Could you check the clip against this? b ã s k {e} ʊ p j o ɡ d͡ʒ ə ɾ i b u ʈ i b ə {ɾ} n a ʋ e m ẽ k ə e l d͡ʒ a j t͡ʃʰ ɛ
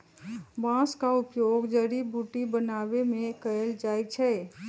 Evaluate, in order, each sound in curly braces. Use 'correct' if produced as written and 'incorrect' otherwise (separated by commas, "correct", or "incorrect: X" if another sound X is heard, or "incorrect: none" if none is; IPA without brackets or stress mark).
incorrect: a, incorrect: none